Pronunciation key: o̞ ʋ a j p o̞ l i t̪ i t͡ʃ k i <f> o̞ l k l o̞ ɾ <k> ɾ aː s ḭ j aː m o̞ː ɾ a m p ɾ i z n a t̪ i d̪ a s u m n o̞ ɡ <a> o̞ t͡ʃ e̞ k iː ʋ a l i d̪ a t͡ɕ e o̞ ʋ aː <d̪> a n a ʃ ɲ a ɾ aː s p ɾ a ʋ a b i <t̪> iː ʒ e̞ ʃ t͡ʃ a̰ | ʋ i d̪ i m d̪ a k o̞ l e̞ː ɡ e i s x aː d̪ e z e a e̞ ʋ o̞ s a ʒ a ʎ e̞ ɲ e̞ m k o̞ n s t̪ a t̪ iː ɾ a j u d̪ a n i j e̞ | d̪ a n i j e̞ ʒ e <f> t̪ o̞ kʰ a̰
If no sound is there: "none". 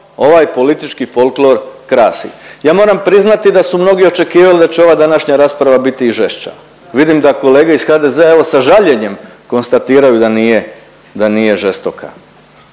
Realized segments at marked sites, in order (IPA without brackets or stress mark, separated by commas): f, k, i, d̪, t̪, s